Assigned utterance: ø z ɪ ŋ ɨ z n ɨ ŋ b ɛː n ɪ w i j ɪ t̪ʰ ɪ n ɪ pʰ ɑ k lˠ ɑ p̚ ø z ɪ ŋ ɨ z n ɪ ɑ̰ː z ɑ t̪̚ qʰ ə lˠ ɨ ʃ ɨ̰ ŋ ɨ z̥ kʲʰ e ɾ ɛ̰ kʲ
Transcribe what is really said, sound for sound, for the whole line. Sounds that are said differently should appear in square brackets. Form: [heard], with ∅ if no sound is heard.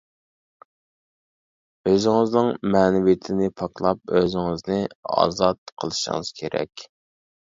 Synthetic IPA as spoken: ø z ɪ ŋ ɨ z n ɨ ŋ [m] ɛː n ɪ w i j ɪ t̪ʰ ɪ n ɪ pʰ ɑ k lˠ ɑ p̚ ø z ɪ ŋ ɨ z n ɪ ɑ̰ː z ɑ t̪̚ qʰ ə lˠ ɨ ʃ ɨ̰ ŋ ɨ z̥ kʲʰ e ɾ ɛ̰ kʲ